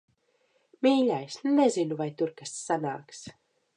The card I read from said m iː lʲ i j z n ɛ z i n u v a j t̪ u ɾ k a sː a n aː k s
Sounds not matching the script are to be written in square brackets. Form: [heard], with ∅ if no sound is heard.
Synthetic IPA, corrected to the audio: m iː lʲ [a] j [s] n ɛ z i n u v a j t̪ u ɾ k a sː a n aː k s